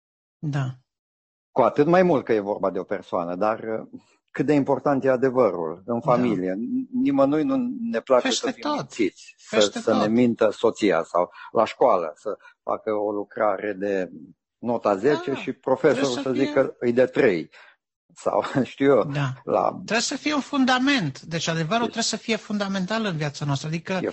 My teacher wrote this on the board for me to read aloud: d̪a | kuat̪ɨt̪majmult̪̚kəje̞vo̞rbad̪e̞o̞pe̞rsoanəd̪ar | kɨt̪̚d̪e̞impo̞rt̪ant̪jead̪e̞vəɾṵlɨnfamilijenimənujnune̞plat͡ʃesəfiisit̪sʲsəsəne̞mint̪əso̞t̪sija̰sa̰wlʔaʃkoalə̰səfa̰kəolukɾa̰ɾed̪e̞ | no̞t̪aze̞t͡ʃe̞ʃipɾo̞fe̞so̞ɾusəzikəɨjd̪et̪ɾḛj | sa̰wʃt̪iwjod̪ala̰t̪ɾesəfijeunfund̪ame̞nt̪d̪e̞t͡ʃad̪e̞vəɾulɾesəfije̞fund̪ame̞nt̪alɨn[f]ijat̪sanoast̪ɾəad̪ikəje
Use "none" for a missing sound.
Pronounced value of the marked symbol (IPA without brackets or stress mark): v